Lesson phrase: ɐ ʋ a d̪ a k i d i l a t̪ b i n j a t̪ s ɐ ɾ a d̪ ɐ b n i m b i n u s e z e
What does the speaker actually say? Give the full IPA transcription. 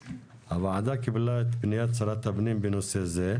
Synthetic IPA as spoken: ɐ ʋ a d̪ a k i b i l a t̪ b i n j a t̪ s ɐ ɾ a t̪ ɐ b n i m b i n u s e z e